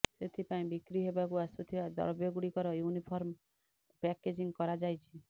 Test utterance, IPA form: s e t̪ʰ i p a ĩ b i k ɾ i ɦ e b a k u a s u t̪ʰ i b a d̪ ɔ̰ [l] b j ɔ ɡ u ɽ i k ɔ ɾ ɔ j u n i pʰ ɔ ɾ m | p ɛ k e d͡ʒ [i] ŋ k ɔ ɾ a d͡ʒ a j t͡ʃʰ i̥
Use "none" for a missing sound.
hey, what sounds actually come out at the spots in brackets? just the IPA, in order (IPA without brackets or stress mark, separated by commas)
ɾ, i